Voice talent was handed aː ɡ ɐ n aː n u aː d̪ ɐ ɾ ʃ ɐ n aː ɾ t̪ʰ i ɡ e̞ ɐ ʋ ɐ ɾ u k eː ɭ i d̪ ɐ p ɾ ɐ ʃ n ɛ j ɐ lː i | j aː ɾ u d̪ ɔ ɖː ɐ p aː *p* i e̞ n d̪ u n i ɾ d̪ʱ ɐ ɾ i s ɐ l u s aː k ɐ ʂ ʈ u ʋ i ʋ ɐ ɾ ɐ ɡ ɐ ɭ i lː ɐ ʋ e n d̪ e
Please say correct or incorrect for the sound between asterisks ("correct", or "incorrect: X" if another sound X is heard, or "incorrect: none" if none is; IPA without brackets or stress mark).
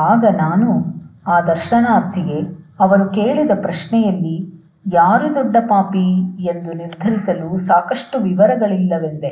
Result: correct